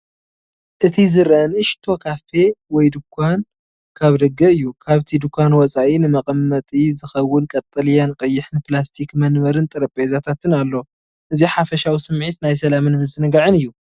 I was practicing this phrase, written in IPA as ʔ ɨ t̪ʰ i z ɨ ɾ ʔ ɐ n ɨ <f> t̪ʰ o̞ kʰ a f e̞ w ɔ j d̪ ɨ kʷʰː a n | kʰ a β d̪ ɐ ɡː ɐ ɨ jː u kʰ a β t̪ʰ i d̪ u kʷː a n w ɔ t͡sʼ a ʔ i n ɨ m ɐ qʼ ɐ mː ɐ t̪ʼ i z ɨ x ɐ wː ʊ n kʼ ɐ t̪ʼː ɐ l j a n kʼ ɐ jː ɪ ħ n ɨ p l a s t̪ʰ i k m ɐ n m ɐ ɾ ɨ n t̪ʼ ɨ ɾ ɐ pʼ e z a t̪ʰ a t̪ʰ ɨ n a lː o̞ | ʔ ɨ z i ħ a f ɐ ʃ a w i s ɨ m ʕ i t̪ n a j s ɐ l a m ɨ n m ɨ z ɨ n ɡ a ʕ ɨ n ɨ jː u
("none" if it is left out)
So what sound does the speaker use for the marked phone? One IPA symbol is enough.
ʃ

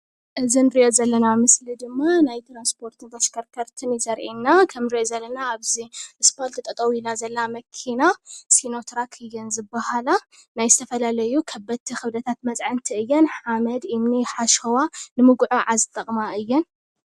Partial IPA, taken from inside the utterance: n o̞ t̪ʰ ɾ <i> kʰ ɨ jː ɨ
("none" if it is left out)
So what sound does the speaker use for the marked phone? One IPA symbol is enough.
a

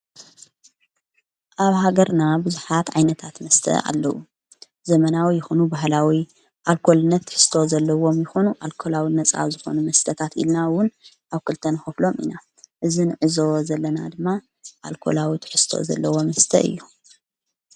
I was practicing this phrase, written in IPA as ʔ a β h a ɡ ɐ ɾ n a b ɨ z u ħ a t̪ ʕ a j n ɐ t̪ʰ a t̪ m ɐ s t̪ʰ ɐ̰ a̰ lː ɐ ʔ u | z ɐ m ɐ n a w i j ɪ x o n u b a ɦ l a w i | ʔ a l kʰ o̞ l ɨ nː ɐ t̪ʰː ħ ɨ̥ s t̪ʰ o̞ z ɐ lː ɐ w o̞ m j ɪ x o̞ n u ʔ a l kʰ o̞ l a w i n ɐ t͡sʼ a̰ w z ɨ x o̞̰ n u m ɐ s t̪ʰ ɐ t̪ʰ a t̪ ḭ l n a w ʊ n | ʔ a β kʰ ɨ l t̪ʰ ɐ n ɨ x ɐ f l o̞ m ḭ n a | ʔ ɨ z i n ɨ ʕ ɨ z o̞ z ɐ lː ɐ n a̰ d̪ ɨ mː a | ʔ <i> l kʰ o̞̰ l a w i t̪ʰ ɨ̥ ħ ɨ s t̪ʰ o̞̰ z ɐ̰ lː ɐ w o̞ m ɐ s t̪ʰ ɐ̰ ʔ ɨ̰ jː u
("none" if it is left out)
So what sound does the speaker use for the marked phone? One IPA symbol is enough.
a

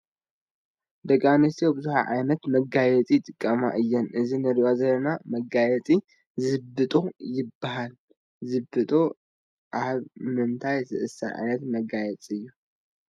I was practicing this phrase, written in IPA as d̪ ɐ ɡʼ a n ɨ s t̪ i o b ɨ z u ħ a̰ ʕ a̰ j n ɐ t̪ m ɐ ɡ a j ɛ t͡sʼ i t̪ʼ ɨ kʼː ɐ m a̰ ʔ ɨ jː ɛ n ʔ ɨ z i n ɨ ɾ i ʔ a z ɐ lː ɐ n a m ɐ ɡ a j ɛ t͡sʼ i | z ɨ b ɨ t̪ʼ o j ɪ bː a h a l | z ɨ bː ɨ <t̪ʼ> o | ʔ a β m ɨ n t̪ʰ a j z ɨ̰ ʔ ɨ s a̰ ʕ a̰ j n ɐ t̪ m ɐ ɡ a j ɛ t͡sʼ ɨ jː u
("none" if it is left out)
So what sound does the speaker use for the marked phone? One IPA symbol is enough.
t̪ʼ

